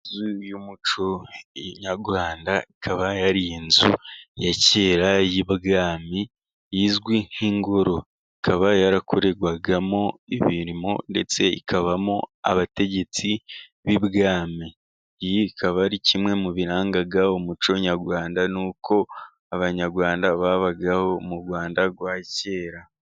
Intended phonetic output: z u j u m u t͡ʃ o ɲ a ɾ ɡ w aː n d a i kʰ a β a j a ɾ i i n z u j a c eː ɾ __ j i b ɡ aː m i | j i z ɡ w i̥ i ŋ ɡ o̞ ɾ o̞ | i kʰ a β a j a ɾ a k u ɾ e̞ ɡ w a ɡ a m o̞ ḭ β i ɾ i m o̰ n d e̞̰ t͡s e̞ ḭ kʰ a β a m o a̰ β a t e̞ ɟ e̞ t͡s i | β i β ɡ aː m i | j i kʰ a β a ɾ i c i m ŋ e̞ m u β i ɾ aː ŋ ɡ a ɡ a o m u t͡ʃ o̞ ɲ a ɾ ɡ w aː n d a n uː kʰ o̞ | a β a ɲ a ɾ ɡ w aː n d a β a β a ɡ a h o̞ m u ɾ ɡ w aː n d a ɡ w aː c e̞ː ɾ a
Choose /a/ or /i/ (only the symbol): a